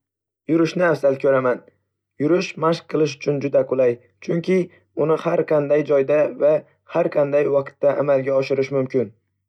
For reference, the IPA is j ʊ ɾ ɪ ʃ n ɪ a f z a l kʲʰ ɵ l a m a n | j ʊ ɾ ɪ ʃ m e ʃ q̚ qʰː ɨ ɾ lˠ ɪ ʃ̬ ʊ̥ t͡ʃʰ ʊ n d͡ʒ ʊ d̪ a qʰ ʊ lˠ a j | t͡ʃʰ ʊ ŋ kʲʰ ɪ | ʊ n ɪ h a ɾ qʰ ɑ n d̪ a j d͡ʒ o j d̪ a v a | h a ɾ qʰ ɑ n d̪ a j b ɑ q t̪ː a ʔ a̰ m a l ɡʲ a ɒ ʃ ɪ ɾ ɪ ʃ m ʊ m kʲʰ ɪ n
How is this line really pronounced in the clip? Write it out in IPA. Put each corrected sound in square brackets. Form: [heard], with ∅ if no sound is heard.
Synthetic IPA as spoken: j ʊ ɾ ɪ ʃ n ɪ a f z a l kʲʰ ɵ [ɾ] a m a n | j ʊ ɾ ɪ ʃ m [a] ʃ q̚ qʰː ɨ [∅] lˠ ɪ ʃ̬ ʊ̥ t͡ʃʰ ʊ n d͡ʒ ʊ d̪ a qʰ ʊ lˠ a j | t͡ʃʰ ʊ ŋ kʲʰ ɪ | ʊ n ɪ h a ɾ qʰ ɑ n d̪ a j d͡ʒ [ɒ] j d̪ a v a | h a ɾ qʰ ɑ n d̪ a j [w] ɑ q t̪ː a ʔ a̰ m a l ɡʲ a ɒ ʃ ɪ ɾ ɪ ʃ m ʊ m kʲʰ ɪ n